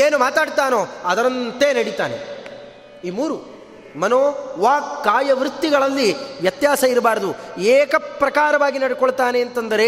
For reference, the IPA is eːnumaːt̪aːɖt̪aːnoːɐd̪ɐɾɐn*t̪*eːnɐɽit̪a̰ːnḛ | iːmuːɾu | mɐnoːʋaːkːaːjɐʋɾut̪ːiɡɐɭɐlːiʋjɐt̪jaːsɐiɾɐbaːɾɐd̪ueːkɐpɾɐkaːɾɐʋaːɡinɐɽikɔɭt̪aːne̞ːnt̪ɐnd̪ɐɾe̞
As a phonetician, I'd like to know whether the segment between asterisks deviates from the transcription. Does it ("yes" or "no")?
no